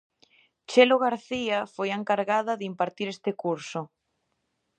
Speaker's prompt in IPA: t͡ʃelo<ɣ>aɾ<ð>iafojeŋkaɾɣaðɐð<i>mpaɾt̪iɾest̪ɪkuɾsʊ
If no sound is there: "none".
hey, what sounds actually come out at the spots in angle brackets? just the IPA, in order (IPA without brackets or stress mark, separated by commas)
ɣ, θ, i